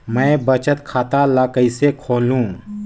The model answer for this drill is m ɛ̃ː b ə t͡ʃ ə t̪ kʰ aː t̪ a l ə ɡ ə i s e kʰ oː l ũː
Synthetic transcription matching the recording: m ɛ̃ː b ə t͡ʃ ə t̪ kʰ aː t̪ a l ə k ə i s e kʰ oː l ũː